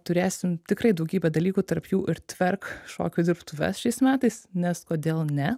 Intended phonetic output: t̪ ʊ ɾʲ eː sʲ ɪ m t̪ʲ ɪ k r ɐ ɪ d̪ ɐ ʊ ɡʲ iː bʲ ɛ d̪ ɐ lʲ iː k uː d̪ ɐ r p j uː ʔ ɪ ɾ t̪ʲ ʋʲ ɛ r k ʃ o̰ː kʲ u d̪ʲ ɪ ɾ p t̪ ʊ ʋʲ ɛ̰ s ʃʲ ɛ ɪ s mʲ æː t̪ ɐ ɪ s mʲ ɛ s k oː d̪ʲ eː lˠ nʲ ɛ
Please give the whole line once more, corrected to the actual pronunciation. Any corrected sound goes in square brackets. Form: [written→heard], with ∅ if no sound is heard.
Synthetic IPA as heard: t̪ ʊ ɾʲ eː sʲ ɪ m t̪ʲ ɪ k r ɐ ɪ d̪ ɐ ʊ ɡʲ iː bʲ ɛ d̪ ɐ lʲ iː k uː [d̪→t̪] ɐ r p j uː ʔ ɪ ɾ t̪ʲ ʋʲ ɛ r k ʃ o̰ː kʲ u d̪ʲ ɪ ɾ p t̪ ʊ ʋʲ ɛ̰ s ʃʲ ɛ ɪ s mʲ æː t̪ ɐ ɪ s [mʲ→nʲ] ɛ s k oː d̪ʲ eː lˠ nʲ ɛ

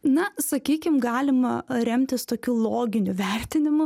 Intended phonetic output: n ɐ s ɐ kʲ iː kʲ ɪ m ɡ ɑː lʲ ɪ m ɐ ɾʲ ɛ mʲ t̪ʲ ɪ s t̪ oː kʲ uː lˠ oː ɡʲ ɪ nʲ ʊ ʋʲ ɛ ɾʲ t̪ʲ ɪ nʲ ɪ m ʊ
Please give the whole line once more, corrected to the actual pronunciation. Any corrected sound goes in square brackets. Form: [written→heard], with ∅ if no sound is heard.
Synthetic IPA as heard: n ɐ s ɐ kʲ iː kʲ ɪ m ɡ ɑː lʲ ɪ m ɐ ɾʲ ɛ mʲ t̪ʲ ɪ s t̪ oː kʲ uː lˠ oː ɡʲ ɪ nʲ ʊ ʋʲ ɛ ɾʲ t̪ʲ ɪ nʲ ɪ m ʊ

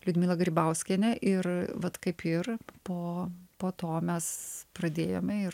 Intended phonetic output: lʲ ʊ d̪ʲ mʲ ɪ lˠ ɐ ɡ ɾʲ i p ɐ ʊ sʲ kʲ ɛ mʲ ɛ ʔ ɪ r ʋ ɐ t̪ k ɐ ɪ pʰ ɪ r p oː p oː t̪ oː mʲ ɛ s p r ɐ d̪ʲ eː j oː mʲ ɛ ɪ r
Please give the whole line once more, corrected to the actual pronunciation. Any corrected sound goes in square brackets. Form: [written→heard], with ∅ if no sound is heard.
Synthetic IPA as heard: lʲ ʊ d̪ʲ mʲ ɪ lˠ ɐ ɡ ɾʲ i [p→b] ɐ ʊ sʲ kʲ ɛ [mʲ→nʲ] ɛ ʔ ɪ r ʋ ɐ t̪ k ɐ ɪ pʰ ɪ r p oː p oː t̪ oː mʲ ɛ s p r ɐ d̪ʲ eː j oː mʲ ɛ ɪ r

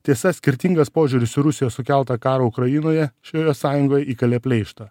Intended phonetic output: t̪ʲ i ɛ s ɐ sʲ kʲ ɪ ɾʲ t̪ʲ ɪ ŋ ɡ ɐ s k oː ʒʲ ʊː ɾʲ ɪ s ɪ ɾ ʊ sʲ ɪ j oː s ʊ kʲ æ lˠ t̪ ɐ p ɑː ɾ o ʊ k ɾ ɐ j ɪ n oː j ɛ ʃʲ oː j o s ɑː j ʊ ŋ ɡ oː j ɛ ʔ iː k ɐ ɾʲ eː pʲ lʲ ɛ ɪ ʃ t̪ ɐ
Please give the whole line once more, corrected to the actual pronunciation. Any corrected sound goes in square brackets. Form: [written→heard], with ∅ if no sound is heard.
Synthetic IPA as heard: t̪ʲ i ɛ s ɐ sʲ kʲ ɪ ɾʲ t̪ʲ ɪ ŋ ɡ ɐ s [k→p] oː ʒʲ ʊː ɾʲ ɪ s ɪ ɾ ʊ sʲ ɪ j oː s ʊ kʲ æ lˠ t̪ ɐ [p→k] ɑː ɾ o ʊ k ɾ ɐ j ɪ n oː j ɛ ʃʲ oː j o s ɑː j ʊ ŋ ɡ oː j ɛ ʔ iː k ɐ [ɾʲ→lʲ] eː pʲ lʲ ɛ ɪ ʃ t̪ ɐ

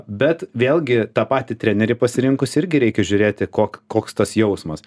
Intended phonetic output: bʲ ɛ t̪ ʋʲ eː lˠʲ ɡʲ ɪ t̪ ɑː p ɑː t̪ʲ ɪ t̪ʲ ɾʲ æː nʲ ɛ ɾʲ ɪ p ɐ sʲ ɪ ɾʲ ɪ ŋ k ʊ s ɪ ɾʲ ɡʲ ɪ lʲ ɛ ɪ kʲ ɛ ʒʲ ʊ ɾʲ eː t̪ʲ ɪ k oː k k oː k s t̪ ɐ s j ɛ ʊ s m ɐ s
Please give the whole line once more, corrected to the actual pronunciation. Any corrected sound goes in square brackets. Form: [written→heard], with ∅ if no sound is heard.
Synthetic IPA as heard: bʲ ɛ t̪ ʋʲ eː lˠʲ ɡʲ ɪ t̪ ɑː p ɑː t̪ʲ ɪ t̪ʲ ɾʲ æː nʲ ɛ ɾʲ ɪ p ɐ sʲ ɪ ɾʲ ɪ ŋ k ʊ s ɪ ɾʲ ɡʲ ɪ [lʲ→ɾʲ] ɛ ɪ kʲ ɛ ʒʲ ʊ ɾʲ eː t̪ʲ ɪ k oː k k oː k s t̪ ɐ s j ɛ ʊ s m ɐ s

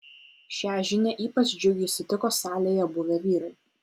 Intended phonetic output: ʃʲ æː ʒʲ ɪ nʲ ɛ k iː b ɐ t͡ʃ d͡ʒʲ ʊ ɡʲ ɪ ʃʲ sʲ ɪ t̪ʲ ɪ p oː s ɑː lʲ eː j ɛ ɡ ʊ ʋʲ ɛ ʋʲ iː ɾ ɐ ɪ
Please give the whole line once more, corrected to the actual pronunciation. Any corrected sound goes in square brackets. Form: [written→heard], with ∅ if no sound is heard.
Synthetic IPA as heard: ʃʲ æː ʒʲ ɪ nʲ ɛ [k→ʔ] iː [b→p] ɐ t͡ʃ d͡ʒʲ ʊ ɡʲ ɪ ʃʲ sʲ ɪ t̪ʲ ɪ [p→k] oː s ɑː lʲ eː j ɛ [ɡ→b] ʊ ʋʲ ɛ ʋʲ iː ɾ ɐ ɪ

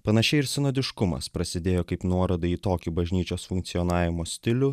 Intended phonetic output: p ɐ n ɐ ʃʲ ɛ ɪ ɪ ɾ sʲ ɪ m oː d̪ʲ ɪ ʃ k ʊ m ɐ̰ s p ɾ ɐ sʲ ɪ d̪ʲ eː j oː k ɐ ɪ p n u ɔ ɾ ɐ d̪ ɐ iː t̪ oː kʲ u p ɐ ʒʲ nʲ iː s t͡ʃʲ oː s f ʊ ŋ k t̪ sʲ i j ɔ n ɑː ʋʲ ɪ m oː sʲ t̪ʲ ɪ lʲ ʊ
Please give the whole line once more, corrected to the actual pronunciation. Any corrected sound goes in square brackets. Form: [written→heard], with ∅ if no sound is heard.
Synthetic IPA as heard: p ɐ n ɐ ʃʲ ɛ ɪ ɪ ɾ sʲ ɪ [m→n] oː d̪ʲ ɪ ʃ k ʊ m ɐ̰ s p ɾ ɐ sʲ ɪ d̪ʲ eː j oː k ɐ ɪ p n u ɔ ɾ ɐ d̪ ɐ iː t̪ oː kʲ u [p→b] ɐ ʒʲ nʲ iː [s→∅] t͡ʃʲ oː s f ʊ ŋ k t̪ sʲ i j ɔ n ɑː ʋʲ ɪ m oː sʲ t̪ʲ ɪ lʲ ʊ

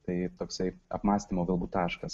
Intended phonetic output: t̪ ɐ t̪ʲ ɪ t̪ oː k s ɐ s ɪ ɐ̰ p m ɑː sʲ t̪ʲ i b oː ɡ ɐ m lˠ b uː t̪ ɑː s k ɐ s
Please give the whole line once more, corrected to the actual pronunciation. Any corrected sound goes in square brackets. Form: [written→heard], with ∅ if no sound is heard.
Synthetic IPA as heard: t̪ ɐ [t̪ʲ→∅] ɪ t̪ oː k s ɐ [s→∅] ɪ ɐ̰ p m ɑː sʲ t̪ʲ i [b→m] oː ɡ ɐ [m→∅] lˠ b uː t̪ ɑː [s→ʃ] k ɐ s

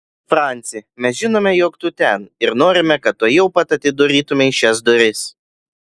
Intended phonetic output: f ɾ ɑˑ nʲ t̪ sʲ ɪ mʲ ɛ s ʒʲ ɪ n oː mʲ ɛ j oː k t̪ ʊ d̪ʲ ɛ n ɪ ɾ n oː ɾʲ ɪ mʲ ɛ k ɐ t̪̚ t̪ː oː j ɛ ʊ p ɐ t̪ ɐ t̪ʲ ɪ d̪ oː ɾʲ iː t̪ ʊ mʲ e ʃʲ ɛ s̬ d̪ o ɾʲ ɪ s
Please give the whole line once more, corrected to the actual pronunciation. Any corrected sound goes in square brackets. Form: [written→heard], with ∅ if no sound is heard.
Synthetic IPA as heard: f ɾ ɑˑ nʲ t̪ sʲ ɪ mʲ ɛ s ʒʲ ɪ n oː mʲ ɛ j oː k t̪ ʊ [d̪ʲ→t̪ʲ] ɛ n ɪ ɾ n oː ɾʲ ɪ mʲ ɛ k ɐ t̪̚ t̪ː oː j ɛ ʊ p ɐ t̪ ɐ t̪ʲ ɪ d̪ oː ɾʲ iː t̪ ʊ mʲ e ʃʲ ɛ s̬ d̪ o ɾʲ ɪ s

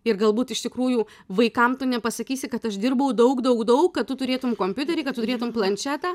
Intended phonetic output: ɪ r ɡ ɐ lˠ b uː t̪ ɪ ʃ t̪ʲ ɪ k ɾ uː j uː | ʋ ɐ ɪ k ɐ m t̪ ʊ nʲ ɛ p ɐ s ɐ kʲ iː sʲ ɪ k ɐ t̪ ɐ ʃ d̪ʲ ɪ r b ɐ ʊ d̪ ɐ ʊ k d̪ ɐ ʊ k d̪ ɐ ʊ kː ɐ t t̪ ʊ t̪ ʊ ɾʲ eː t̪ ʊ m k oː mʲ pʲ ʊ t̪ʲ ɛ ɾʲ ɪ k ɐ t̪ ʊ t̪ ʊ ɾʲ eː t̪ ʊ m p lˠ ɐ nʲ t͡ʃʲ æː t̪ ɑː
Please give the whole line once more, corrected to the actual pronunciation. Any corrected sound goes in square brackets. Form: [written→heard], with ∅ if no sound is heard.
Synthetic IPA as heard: ɪ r ɡ ɐ lˠ b uː t̪ ɪ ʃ t̪ʲ ɪ k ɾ uː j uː | ʋ ɐ ɪ k ɐ m t̪ ʊ nʲ ɛ p ɐ s ɐ kʲ iː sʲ ɪ k ɐ t̪ ɐ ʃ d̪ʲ ɪ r b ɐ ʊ d̪ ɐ ʊ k d̪ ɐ ʊ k d̪ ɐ ʊ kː ɐ t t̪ ʊ t̪ ʊ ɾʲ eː t̪ ʊ m k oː mʲ pʲ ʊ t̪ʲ ɛ ɾʲ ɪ k ɐ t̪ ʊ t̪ ʊ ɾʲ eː t̪ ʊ m p lˠ ɐ nʲ t͡ʃʲ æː t̪ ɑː

